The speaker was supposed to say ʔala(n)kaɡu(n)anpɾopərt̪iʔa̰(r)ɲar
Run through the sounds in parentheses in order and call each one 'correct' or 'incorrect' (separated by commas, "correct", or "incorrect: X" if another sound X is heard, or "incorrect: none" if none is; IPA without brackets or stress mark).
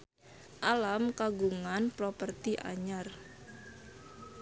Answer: incorrect: m, incorrect: ŋ, incorrect: none